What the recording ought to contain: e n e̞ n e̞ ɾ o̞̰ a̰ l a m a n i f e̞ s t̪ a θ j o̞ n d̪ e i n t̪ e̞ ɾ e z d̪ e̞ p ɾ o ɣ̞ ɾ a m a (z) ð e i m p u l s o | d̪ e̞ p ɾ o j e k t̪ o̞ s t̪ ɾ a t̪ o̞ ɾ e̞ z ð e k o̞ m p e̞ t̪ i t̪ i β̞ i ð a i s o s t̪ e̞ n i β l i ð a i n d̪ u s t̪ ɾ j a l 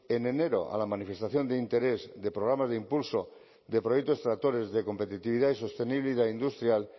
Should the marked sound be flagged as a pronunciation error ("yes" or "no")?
no